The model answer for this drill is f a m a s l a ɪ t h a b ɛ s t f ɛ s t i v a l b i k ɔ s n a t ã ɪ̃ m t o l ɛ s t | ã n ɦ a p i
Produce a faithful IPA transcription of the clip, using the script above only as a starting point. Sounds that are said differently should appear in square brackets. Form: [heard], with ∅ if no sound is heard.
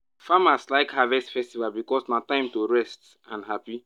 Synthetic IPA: f a m a s l a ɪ [k] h a [v] ɛ s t f ɛ s t i v a l b i k ɔ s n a t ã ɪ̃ m t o [ɹ] ɛ s t | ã n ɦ a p i